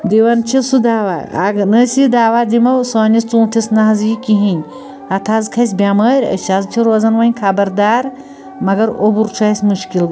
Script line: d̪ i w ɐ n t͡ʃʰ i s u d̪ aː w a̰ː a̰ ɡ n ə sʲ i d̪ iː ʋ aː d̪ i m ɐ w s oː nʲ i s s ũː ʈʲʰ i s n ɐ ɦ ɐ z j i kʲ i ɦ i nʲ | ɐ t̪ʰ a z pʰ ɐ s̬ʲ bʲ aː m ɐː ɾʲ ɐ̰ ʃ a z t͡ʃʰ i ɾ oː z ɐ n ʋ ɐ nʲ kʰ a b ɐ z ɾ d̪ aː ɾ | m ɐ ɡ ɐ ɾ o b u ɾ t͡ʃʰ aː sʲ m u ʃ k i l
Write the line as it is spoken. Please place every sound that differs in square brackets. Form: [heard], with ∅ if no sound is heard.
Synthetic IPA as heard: d̪ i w ɐ n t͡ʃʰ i s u d̪ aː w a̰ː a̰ ɡ n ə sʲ i d̪ [aː] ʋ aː d̪ i m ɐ w s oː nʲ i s [t͡s] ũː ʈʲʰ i s n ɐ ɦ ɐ z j i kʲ i ɦ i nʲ | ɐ t̪ʰ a z [kʰ] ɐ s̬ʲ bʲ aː m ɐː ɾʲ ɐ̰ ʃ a z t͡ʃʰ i ɾ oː z ɐ n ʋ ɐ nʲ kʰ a b ɐ [∅] ɾ d̪ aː ɾ | m ɐ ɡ ɐ ɾ o b u ɾ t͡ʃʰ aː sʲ m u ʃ k i l